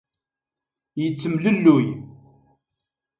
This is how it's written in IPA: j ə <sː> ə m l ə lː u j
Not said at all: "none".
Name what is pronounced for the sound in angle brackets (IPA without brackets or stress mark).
t͡sː